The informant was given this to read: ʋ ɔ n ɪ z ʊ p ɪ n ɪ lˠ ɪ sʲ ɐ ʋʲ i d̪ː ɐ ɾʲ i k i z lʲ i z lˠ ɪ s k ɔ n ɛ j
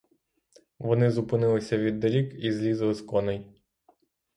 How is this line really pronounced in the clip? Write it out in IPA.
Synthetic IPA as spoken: ʋ ɔ n ɪ z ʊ p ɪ n ɪ lˠ ɪ sʲ ɐ ʋʲ i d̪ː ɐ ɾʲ i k i z lʲ i z lˠ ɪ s k ɔ n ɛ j